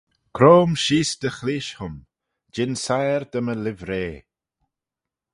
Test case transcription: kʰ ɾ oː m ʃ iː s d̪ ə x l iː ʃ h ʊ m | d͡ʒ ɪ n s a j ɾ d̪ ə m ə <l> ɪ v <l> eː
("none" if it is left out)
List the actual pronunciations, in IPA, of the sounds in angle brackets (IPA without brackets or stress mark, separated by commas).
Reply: l, ɾ